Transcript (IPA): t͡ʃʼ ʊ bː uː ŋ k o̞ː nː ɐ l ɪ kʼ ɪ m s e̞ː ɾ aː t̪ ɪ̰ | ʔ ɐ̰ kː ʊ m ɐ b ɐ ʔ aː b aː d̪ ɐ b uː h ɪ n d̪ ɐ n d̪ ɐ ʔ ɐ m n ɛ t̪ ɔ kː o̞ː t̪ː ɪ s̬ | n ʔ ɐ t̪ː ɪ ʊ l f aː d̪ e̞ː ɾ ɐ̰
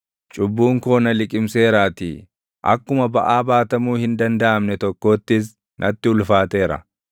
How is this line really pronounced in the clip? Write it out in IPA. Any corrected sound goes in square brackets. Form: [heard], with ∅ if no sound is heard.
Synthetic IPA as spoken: t͡ʃʼ ʊ bː uː ŋ k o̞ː [n] ɐ l ɪ kʼ ɪ m s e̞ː ɾ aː t̪ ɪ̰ | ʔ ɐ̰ kː ʊ m ɐ b ɐ ʔ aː b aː [t̪] ɐ [m] uː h ɪ n d̪ ɐ n d̪ ɐ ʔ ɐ m n ɛ t̪ ɔ kː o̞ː t̪ː ɪ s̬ | n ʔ ɐ t̪ː ɪ ʊ l f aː [t̪] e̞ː ɾ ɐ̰